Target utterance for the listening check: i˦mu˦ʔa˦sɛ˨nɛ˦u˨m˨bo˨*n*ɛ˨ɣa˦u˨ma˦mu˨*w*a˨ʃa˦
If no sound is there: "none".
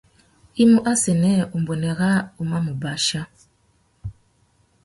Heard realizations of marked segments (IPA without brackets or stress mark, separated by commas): n, b